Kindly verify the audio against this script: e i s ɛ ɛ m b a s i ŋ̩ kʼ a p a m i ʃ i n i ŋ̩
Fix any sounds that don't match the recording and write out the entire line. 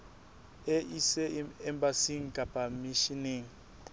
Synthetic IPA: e i s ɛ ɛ m b a s i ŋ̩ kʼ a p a m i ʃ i n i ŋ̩